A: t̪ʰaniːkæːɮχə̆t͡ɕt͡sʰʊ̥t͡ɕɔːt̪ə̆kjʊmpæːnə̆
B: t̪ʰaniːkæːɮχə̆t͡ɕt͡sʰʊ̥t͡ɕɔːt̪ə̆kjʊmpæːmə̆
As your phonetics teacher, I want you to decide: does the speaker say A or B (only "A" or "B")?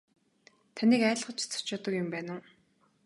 A